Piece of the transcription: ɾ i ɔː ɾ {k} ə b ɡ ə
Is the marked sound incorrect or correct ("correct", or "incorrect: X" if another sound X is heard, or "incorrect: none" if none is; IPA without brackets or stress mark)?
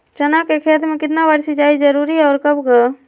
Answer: correct